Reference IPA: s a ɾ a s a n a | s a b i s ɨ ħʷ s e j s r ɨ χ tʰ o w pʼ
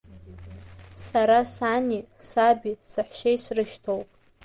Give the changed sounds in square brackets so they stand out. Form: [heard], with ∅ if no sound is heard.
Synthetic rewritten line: s a ɾ a s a n [i] | s a b i s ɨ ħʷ [ʃ] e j s r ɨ [ʃ] tʰ o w pʼ